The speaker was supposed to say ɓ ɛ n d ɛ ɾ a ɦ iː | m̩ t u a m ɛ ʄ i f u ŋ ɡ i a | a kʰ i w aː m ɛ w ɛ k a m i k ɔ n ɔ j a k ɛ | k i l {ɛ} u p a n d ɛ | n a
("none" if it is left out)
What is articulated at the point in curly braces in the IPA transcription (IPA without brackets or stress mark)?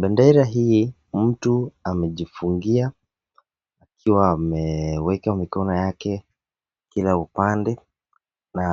a